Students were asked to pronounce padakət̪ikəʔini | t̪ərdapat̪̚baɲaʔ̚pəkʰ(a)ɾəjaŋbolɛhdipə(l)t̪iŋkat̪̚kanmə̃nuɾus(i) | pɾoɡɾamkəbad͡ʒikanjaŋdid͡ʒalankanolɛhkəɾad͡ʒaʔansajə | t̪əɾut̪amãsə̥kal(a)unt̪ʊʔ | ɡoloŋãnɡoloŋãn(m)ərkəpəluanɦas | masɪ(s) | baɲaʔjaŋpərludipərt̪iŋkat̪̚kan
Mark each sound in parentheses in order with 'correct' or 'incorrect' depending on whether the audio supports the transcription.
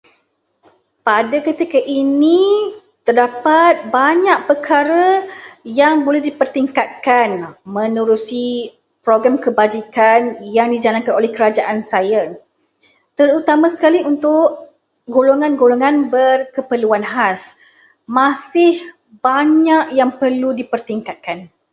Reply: correct, incorrect, correct, incorrect, incorrect, incorrect

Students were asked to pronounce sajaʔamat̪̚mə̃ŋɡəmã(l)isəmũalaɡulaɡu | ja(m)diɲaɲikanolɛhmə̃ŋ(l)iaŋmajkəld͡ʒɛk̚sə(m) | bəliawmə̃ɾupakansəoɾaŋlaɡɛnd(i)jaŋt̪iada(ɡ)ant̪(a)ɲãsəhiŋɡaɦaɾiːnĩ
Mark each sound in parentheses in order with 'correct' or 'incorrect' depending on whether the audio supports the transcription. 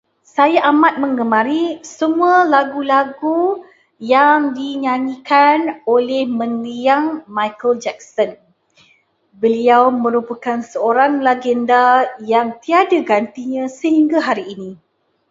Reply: incorrect, incorrect, correct, incorrect, incorrect, correct, incorrect

